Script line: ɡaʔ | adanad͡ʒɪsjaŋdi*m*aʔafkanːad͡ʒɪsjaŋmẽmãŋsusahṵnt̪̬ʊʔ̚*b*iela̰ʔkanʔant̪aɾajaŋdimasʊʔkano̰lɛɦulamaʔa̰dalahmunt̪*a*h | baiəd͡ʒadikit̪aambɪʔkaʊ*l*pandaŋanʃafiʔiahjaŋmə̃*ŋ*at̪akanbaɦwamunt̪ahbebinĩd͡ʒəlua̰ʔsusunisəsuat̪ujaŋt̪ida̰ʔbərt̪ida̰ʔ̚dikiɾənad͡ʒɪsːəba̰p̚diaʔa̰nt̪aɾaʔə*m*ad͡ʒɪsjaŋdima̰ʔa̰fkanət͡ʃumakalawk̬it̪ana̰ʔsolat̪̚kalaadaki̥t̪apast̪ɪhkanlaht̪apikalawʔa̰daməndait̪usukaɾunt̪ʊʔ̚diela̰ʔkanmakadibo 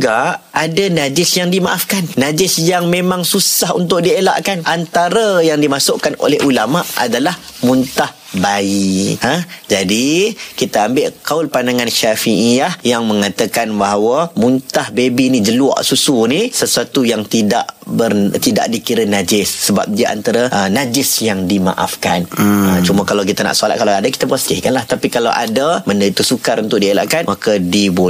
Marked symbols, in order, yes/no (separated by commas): yes, no, yes, yes, yes, no